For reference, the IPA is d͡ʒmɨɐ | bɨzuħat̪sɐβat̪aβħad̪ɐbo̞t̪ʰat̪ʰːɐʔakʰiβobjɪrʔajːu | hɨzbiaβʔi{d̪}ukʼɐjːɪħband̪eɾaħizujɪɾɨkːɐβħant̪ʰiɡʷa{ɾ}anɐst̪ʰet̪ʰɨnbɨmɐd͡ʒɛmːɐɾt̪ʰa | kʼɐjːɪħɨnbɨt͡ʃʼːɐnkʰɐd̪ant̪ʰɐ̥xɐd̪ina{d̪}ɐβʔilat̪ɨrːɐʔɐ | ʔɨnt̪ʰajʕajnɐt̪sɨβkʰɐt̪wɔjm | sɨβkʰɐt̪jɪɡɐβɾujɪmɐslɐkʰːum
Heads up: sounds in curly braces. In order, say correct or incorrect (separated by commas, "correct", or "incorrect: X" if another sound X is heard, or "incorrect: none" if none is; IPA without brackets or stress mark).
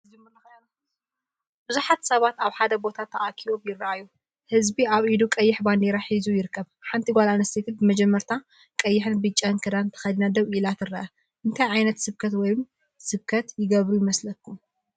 correct, incorrect: l, correct